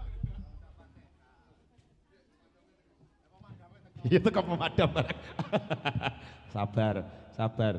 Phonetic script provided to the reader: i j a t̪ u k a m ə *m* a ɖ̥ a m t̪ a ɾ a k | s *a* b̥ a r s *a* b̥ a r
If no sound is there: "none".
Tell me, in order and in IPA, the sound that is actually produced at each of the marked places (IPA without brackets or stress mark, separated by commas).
m, a, a